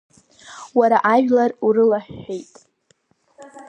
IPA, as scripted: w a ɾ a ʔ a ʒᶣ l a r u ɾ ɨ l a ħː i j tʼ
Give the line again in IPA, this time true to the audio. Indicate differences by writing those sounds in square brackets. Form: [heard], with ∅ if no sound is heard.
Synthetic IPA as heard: w a ɾ a ʔ a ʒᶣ l a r u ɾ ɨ l a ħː [e] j tʼ